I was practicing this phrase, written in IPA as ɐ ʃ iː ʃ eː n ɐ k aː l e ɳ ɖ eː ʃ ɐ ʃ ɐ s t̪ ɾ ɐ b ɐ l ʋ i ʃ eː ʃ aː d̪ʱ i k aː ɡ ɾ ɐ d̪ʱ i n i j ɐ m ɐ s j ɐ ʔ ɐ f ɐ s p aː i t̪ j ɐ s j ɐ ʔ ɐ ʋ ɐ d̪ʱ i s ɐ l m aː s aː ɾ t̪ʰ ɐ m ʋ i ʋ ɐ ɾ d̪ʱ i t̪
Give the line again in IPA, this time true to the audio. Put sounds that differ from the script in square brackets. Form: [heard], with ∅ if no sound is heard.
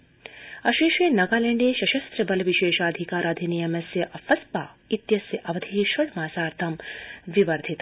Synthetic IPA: ɐ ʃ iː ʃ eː n ɐ [ɡ] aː l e ɳ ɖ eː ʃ ɐ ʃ ɐ s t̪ ɾ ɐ b ɐ l ʋ i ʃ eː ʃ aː d̪ʱ i k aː [∅] ɾ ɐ d̪ʱ i n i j ɐ m ɐ s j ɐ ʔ ɐ f ɐ s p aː i t̪ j ɐ s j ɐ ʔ ɐ ʋ ɐ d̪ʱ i [ʃ] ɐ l m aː s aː ɾ t̪ʰ ɐ m ʋ i ʋ ɐ ɾ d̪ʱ i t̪